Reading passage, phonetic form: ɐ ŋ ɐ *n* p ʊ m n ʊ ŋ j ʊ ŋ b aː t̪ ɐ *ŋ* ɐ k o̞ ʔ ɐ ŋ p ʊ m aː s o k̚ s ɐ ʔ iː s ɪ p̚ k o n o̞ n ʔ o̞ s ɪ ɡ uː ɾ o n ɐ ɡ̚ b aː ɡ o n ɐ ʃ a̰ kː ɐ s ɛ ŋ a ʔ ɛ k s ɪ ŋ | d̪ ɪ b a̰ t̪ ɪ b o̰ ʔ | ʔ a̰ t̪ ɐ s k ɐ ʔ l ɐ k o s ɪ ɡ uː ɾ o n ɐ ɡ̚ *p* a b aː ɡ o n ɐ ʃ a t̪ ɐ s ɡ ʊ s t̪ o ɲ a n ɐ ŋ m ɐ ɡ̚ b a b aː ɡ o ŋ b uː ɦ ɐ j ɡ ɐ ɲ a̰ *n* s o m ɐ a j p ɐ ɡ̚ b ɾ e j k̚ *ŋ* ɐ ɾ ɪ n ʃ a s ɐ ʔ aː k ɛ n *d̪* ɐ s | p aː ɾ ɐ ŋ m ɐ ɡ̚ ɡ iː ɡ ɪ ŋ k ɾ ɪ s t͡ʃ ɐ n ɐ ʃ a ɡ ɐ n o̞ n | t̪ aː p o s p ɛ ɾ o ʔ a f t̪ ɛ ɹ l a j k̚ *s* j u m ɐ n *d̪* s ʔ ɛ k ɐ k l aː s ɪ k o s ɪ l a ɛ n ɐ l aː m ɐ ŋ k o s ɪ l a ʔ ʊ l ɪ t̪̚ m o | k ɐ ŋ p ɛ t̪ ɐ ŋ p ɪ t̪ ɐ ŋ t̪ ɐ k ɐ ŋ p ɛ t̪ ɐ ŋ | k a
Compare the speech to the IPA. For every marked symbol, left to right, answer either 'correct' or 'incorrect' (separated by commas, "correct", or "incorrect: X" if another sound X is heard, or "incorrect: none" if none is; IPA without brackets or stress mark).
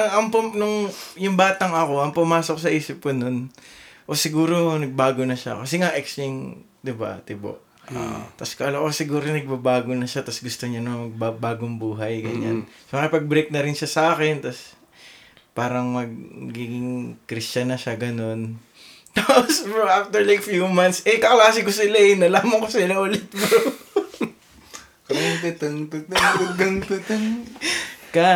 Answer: incorrect: ŋ, correct, incorrect: b, correct, incorrect: n, incorrect: t̪, incorrect: f, incorrect: t̪